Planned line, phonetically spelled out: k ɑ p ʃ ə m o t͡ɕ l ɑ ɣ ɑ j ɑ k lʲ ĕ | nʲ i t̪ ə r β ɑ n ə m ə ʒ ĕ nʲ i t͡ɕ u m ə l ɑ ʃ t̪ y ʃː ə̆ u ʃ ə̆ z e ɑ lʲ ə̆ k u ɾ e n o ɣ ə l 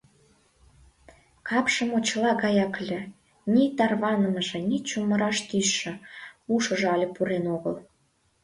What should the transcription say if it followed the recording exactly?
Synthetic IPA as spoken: k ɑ p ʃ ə m o t͡ɕ l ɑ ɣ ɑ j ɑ k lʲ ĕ | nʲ i t̪ ɑ r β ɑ n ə m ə ʒ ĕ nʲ i t͡ɕ u m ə ɾ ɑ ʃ t̪ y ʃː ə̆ u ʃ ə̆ ʒ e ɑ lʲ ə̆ p u ɾ e n o ɣ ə l